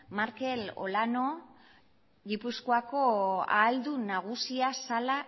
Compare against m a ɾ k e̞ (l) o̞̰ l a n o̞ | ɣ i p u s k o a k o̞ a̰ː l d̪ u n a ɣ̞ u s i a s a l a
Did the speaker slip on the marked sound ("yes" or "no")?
no